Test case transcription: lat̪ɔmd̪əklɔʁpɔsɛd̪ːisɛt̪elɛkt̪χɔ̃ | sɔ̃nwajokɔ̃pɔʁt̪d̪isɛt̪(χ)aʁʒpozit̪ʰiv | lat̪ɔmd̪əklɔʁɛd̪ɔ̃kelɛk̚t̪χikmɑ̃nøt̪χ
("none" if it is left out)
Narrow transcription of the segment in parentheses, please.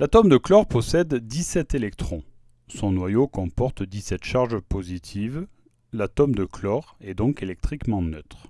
ʃ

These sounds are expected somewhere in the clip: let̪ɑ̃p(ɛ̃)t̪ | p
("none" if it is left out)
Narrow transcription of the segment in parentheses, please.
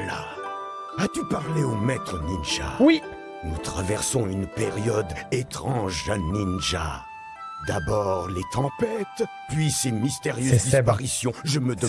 ɛ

